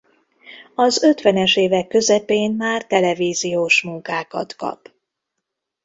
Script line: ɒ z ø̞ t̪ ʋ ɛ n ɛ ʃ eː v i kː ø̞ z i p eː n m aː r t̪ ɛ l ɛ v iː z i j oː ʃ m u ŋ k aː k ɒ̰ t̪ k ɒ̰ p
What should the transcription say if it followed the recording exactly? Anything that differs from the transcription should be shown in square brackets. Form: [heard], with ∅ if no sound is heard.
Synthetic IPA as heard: ɒ z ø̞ t̪ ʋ ɛ n ɛ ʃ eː v [ɛ] kː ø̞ z [ɛ] p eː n m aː r t̪ ɛ l ɛ v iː z i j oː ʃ m u ŋ k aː k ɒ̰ t̪ k ɒ̰ p